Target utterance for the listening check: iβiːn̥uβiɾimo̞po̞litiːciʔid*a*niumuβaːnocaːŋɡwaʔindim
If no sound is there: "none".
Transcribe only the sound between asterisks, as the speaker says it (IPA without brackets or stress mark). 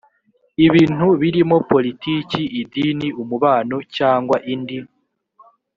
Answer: i